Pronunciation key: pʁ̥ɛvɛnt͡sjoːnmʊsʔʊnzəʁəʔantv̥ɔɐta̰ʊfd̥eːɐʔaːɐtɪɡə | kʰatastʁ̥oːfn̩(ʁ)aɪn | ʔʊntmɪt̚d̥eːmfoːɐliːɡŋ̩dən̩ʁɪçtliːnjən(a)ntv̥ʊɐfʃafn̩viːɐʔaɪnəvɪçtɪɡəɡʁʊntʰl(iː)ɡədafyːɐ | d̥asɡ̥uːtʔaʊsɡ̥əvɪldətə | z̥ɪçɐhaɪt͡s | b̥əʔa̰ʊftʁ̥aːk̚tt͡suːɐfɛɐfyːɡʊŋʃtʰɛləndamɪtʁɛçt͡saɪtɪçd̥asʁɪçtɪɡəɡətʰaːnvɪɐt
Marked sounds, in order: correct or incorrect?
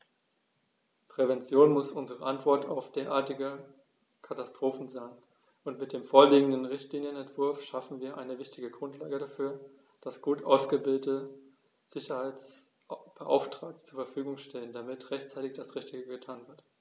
incorrect: z, incorrect: ɛ, incorrect: aː

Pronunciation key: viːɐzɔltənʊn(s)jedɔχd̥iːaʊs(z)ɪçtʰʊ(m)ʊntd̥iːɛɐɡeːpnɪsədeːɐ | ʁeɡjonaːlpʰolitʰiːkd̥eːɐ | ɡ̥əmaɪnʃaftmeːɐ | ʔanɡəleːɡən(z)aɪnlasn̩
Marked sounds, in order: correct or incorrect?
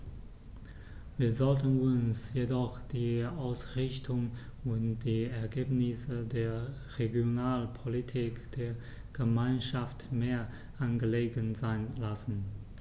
correct, incorrect: ʁ, incorrect: ŋ, correct

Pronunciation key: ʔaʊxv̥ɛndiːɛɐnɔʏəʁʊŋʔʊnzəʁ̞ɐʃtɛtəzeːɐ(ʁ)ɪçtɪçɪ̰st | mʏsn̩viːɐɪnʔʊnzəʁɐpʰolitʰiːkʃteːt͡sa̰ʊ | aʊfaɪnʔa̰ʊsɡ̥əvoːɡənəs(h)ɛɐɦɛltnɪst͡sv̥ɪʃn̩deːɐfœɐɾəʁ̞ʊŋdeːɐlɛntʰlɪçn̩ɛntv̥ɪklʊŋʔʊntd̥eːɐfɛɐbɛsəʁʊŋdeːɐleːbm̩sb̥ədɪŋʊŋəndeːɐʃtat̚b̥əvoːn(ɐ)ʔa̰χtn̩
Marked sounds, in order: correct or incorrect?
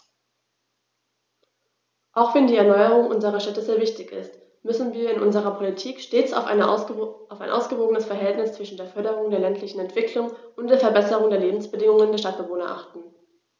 incorrect: v, incorrect: f, correct

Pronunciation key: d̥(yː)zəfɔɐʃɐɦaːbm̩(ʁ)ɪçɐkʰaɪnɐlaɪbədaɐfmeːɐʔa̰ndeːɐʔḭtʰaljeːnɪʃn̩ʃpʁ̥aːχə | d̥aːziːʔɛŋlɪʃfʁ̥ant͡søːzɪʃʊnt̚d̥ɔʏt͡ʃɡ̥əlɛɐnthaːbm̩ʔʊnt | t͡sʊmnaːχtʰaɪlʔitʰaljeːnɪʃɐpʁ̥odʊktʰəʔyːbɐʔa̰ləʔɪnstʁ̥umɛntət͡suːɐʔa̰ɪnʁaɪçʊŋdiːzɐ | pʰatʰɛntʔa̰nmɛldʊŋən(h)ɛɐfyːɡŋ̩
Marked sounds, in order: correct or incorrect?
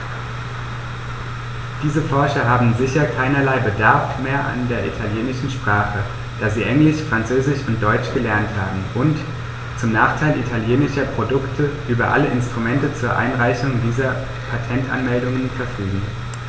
incorrect: iː, incorrect: z, incorrect: f

